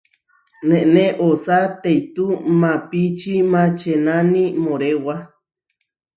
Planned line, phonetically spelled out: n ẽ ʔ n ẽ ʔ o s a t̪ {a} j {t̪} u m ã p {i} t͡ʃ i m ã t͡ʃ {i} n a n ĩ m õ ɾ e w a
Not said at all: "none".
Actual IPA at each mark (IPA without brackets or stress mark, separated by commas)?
e, t̪, i, e